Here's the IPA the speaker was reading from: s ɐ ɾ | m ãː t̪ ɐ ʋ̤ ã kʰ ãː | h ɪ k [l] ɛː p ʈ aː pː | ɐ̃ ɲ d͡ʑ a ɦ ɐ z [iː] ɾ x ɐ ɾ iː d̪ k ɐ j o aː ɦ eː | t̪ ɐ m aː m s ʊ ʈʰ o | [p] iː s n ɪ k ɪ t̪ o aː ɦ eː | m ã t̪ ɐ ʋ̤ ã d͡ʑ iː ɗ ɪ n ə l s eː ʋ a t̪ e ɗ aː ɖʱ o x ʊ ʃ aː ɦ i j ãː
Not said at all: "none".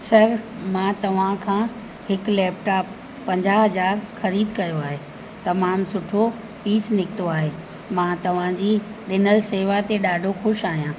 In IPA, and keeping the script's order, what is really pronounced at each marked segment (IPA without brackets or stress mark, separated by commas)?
l, aː, p